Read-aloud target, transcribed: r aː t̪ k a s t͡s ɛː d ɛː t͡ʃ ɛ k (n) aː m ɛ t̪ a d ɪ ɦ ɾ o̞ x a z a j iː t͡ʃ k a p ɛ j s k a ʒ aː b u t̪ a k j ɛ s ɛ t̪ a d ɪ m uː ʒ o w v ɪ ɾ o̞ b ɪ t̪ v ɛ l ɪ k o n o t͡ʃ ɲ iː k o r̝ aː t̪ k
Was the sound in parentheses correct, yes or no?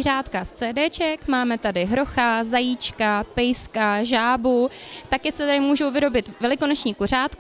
no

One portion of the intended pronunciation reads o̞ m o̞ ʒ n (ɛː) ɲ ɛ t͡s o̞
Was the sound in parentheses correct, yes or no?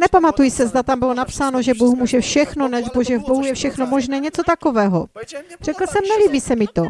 yes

